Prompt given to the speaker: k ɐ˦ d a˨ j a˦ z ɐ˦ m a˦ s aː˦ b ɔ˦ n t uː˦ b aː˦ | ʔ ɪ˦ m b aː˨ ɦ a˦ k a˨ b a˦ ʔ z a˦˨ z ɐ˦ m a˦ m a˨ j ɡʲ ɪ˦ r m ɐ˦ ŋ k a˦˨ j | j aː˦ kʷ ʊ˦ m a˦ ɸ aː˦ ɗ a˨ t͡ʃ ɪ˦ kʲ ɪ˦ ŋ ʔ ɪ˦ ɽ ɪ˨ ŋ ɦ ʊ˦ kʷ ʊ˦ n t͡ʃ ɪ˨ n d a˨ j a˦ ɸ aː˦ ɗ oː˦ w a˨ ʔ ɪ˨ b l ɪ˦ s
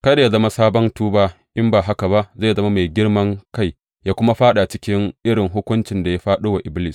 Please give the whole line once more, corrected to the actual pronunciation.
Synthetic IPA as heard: k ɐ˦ d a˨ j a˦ z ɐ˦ m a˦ s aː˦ b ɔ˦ n t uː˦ b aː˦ | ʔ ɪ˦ m b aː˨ ɦ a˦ k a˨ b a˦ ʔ z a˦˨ z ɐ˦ m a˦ m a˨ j ɡʲ ɪ˦ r m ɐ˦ ŋ k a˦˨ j | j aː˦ kʷ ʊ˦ m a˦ ɸ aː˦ ɗ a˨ t͡ʃ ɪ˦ kʲ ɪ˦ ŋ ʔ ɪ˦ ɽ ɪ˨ ŋ ɦ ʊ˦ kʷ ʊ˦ n t͡ʃ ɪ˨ n d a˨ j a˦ ɸ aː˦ ɗ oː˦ w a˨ ʔ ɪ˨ b l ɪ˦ s